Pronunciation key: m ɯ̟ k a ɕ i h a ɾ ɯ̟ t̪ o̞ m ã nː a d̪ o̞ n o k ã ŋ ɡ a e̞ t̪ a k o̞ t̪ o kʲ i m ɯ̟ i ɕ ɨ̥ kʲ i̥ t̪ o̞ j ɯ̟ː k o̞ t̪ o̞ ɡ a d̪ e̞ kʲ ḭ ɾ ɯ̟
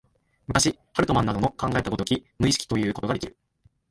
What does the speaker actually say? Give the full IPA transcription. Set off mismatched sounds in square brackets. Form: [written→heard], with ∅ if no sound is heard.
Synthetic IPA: m ɯ̟ k a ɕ i h a ɾ ɯ̟ t̪ o̞ m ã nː a d̪ o̞ n o k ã ŋ ɡ a e̞ t̪ a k o̞ t̪ o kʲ i m ɯ̟ i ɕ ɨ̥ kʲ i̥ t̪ o̞ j ɯ̟ː k o̞ t̪ o̞ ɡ a d̪ e̞ kʲ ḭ ɾ ɯ̟